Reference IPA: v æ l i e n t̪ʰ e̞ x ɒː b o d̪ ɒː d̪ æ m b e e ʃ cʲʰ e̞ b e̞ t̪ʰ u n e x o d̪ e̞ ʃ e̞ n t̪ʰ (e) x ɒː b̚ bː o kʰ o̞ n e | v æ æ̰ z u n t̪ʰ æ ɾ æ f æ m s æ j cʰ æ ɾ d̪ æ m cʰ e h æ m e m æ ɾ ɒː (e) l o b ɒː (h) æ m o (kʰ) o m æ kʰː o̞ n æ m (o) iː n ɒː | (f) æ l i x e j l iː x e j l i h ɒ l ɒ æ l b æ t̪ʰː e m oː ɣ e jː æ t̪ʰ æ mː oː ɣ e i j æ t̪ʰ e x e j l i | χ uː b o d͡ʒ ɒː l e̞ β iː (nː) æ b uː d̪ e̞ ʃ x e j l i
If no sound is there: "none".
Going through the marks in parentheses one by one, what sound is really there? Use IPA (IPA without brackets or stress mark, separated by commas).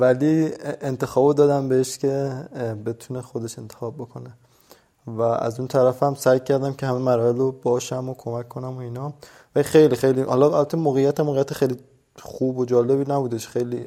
e, e, ʃ, kʰ, o, v, n